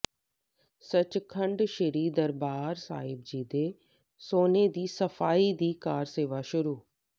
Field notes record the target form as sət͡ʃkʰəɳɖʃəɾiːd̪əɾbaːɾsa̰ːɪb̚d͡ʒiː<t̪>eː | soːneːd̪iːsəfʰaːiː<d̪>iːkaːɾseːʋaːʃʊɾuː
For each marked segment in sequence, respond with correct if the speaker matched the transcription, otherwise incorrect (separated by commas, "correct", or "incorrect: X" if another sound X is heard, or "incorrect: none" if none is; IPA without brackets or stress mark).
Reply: incorrect: d̪, correct